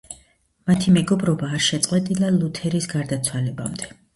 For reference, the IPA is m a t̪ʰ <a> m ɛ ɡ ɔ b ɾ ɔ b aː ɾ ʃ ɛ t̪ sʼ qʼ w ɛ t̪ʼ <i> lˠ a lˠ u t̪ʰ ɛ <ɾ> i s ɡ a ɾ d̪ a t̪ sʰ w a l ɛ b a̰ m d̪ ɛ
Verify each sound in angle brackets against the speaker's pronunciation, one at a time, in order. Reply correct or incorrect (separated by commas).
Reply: incorrect, correct, correct